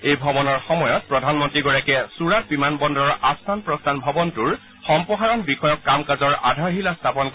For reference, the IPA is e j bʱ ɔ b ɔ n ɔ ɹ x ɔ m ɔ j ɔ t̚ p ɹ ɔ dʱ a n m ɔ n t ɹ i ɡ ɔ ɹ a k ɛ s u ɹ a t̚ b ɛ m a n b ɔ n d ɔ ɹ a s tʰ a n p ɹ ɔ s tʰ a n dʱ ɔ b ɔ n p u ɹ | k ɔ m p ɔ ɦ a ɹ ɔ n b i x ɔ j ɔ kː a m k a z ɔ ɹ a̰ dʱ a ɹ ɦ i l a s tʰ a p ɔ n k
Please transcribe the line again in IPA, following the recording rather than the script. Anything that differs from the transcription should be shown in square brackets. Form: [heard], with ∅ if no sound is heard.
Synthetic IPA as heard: e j bʱ ɔ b ɔ n ɔ ɹ x ɔ m ɔ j ɔ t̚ p ɹ ɔ dʱ a n m ɔ n t ɹ i ɡ ɔ ɹ a k ɛ s u ɹ a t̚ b [i] m a n b ɔ n d ɔ ɹ a s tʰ a n p ɹ ɔ s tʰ a n [bʱ] ɔ b ɔ n [t] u ɹ | [x] ɔ m p ɔ ɦ a ɹ ɔ n b i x ɔ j ɔ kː a m k a z ɔ ɹ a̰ dʱ a ɹ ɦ i l a s tʰ a p ɔ n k